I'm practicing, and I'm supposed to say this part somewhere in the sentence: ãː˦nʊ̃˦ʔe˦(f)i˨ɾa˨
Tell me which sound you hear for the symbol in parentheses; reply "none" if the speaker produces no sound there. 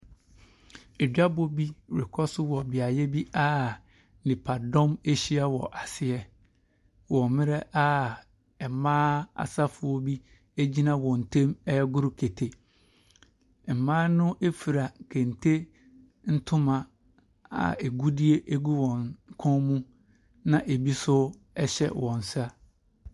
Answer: f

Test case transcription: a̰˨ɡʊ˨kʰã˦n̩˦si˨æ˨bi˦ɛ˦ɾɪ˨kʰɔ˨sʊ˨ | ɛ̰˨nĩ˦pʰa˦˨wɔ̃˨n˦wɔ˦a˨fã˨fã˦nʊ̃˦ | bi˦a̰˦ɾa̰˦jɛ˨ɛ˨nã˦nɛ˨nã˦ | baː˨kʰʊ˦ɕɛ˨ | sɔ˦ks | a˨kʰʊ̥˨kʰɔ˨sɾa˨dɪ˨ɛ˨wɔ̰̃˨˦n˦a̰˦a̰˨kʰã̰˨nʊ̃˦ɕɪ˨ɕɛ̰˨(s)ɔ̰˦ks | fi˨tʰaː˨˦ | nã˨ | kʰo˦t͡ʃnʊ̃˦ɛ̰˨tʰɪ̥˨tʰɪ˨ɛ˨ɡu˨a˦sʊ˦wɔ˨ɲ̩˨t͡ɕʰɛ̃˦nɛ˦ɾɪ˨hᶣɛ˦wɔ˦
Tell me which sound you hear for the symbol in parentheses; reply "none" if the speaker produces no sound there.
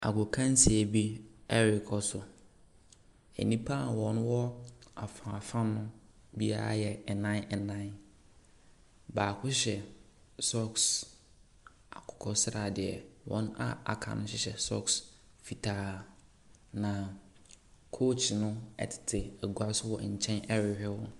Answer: s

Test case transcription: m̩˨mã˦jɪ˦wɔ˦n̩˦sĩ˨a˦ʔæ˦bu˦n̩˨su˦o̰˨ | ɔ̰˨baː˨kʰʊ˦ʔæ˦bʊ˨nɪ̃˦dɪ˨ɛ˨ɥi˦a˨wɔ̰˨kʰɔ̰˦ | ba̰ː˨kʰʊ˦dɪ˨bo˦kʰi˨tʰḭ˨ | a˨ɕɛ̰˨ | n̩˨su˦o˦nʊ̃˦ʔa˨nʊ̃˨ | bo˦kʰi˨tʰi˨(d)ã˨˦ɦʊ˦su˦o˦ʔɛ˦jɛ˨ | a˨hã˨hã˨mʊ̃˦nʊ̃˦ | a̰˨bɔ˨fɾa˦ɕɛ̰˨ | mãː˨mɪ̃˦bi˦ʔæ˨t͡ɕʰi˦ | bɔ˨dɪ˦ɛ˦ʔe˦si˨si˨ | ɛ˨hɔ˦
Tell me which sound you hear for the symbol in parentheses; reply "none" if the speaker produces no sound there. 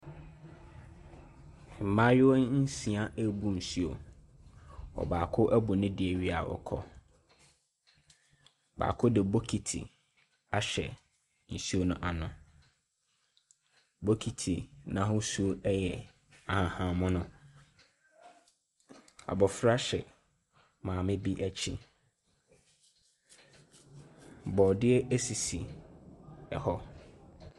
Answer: n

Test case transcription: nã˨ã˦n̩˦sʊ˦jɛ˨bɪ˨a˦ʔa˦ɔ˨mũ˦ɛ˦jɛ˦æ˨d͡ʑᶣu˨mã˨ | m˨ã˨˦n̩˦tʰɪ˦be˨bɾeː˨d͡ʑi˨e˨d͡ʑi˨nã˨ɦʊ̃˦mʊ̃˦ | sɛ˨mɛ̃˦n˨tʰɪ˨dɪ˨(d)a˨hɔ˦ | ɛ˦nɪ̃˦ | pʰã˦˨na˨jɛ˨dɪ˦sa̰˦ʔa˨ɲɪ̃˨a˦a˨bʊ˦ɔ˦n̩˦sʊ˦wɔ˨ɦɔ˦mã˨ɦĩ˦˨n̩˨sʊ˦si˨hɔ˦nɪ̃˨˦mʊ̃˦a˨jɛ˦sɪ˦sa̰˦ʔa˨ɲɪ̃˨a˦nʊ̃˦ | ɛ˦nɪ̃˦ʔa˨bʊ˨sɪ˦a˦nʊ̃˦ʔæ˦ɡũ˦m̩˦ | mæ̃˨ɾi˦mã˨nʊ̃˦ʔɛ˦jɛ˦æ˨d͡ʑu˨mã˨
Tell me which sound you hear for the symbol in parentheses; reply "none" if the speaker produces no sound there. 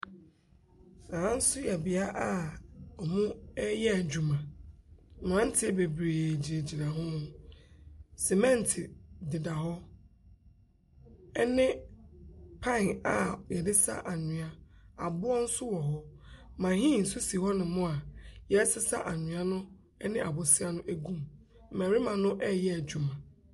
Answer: d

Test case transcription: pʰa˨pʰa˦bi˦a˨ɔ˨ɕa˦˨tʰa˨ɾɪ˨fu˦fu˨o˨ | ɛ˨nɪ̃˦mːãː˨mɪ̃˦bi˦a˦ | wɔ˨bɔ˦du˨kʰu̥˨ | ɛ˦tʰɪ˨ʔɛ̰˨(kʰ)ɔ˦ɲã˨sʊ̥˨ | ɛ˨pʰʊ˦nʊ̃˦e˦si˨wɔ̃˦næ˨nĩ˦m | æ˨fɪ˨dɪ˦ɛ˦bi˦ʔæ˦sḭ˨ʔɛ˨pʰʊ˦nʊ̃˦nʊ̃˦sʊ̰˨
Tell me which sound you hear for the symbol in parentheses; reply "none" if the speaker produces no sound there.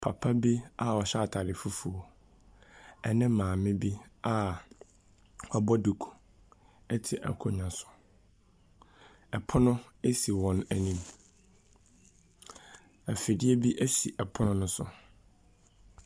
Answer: kʰ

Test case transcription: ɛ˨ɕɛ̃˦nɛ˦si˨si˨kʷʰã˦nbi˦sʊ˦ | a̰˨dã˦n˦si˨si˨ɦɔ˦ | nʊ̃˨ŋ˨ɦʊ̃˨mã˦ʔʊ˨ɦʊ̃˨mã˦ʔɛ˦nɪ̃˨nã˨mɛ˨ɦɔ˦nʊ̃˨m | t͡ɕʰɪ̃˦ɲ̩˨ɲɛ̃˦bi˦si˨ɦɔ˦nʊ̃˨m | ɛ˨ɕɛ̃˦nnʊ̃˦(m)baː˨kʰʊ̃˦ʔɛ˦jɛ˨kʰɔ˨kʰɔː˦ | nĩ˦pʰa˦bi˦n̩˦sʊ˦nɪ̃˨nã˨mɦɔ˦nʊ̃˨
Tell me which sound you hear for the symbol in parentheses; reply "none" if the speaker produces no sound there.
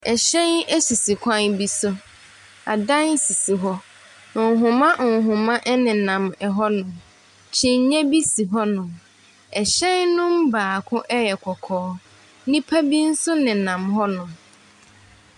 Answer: m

